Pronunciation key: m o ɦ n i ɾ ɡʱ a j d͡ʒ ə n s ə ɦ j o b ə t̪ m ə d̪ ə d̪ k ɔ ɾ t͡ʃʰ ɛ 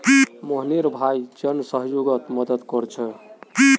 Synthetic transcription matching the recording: m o ɦ n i ɾ bʱ a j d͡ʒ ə n s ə ɦ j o ɡ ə t̪ m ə d̪ ə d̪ k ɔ ɾ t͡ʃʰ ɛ